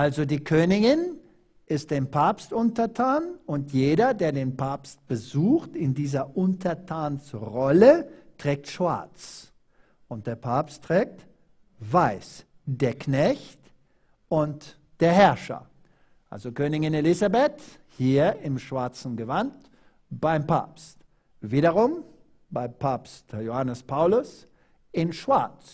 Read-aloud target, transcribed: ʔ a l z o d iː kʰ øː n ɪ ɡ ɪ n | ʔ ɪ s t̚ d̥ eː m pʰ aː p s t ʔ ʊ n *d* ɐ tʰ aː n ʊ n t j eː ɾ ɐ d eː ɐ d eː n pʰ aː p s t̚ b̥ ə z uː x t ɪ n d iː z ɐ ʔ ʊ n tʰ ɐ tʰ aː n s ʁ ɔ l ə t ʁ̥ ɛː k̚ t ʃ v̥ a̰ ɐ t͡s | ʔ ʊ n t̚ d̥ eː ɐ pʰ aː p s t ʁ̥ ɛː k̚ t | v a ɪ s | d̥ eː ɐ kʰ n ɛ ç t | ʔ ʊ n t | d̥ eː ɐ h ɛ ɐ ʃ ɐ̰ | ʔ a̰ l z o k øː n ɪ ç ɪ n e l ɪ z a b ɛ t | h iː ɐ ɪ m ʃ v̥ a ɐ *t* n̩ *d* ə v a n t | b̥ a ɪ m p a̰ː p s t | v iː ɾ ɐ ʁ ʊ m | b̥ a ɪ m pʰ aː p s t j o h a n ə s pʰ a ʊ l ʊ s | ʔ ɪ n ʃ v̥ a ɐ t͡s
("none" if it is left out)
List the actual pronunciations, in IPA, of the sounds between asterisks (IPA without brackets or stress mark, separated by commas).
t, t͡s, ɡ